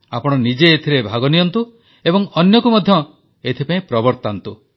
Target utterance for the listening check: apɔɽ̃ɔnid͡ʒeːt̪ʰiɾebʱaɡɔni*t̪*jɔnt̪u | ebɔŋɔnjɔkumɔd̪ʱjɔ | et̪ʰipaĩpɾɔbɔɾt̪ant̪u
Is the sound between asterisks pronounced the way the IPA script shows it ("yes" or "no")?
no